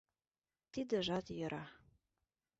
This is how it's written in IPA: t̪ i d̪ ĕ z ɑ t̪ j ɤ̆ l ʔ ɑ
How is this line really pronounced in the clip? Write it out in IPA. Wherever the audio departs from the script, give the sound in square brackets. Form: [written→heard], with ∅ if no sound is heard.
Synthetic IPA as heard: t̪ i d̪ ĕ [z→ʒ] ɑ t̪ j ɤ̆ [l→ɾ] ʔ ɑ